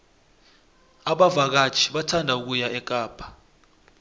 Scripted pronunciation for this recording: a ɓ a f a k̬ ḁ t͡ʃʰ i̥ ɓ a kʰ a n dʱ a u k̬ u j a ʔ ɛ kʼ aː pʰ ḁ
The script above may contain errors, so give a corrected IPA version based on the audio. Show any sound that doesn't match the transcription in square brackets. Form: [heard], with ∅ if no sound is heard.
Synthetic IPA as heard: a ɓ a [v] a k̬ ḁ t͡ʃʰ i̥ ɓ a [tʰ] a n dʱ a u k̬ u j a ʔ ɛ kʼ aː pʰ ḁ